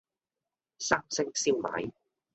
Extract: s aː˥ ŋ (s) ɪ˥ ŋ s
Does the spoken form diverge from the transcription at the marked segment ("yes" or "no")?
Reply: no